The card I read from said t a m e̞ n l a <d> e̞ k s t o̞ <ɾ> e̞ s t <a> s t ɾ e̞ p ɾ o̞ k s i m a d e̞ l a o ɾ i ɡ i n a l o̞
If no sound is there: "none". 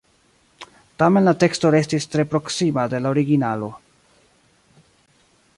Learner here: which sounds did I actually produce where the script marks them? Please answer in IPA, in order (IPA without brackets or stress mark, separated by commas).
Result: t, ɾ, i